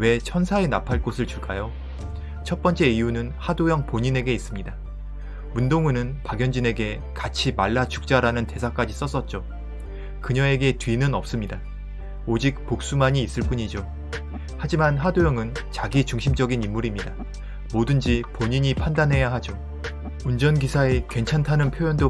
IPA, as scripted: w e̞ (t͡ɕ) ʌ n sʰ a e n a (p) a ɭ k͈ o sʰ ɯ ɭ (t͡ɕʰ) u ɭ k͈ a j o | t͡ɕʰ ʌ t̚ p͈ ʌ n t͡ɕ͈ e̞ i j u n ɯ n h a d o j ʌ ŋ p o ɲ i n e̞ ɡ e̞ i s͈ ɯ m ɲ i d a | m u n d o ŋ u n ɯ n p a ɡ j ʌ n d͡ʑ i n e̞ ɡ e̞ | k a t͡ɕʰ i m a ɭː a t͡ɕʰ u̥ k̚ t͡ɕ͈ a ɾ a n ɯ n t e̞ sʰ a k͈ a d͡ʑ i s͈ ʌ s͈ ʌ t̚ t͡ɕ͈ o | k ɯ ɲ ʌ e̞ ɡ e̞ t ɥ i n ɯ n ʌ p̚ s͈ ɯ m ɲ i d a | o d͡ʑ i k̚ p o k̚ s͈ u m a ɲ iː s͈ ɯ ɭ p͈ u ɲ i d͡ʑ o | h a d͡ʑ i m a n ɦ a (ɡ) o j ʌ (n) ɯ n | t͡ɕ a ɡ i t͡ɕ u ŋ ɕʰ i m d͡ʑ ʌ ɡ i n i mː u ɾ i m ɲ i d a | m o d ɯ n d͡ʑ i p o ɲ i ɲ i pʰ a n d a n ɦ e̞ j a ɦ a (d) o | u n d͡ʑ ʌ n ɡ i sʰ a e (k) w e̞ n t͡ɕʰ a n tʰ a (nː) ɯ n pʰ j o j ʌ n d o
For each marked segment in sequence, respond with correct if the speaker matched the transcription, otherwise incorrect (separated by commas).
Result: incorrect, incorrect, incorrect, incorrect, incorrect, incorrect, correct, incorrect